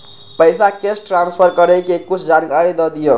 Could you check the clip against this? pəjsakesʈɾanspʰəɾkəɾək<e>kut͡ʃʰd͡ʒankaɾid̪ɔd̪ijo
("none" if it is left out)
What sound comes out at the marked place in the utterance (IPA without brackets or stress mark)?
e